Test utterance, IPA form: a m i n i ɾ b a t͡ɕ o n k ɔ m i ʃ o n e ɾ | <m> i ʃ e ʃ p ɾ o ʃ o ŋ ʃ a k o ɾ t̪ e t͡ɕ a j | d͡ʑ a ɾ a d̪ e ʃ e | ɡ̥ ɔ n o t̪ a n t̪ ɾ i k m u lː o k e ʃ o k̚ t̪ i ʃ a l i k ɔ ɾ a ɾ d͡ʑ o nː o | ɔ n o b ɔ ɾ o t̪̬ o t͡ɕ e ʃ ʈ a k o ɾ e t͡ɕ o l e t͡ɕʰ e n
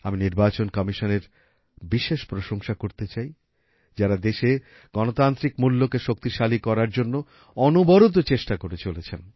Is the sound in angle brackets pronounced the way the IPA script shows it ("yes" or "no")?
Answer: no